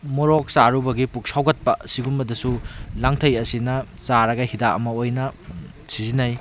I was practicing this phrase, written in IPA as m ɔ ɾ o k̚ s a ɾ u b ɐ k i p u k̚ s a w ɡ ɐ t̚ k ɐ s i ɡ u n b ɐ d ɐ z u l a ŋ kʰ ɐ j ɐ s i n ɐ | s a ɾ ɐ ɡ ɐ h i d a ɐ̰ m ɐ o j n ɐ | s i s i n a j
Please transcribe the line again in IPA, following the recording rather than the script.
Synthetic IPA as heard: m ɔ ɾ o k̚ s a ɾ u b ɐ ɡ i p u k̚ s a w ɡ ɐ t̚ p ɐ s i ɡ u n b ɐ d ɐ s u l a ŋ tʰ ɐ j ɐ s i n ɐ | s a ɾ ɐ ɡ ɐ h i d a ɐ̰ m ɐ o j n ɐ | s i z i n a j